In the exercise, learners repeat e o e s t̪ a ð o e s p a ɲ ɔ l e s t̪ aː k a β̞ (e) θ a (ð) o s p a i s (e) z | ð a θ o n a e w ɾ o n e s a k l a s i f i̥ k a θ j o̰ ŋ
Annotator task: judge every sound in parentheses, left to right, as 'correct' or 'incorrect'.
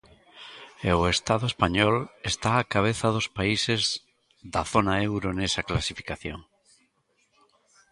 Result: correct, correct, correct

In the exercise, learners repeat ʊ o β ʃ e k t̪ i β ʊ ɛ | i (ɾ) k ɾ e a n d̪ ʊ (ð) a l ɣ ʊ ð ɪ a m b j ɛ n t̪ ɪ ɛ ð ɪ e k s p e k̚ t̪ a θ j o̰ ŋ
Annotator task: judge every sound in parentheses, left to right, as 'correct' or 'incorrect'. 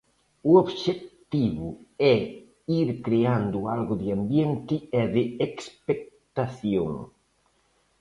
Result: correct, incorrect

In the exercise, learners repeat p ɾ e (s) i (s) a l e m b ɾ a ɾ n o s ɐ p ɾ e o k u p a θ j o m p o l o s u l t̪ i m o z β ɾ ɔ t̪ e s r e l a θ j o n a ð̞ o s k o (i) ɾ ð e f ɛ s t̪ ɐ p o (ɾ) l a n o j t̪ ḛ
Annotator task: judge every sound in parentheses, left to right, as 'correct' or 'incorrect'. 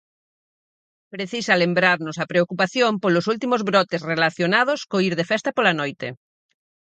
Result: incorrect, correct, correct, incorrect

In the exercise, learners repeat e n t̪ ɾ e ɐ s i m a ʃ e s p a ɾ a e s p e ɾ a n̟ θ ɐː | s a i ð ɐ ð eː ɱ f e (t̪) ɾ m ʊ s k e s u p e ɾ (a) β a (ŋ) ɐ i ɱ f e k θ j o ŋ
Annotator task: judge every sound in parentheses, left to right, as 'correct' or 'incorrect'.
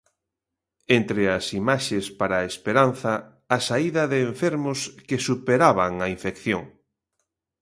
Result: incorrect, correct, correct

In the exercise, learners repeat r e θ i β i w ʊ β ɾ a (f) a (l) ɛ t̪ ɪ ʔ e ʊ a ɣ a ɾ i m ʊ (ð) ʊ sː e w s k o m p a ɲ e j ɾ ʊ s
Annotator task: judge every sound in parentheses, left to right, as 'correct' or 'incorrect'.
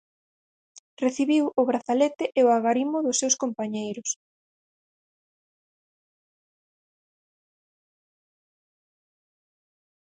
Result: incorrect, correct, correct

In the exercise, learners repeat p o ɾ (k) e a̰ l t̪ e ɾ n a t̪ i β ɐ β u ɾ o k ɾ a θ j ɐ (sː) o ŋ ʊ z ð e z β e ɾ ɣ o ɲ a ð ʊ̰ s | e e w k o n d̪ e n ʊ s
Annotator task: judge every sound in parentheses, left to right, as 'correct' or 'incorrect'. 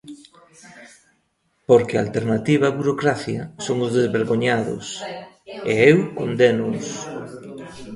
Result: correct, incorrect

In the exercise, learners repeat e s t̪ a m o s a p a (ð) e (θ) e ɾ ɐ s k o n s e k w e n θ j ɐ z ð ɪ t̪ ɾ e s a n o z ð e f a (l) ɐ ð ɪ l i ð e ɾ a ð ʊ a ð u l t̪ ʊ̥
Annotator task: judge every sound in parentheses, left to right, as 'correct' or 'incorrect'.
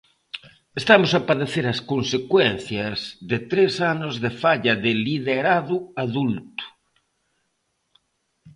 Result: correct, correct, incorrect

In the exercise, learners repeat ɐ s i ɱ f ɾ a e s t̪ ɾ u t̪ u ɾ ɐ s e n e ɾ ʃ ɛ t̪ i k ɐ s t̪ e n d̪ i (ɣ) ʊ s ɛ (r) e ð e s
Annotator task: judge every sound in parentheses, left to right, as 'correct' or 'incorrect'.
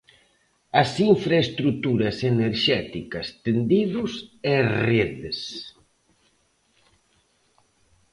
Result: incorrect, correct

